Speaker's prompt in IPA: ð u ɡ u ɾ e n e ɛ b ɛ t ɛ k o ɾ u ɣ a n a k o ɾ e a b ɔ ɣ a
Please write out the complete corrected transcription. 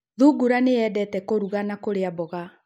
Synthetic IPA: ð u ɡ u ɾ a n e ɛ d ɛ t ɛ k o ɾ u ɣ a n a k o ɾ e a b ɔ ɣ a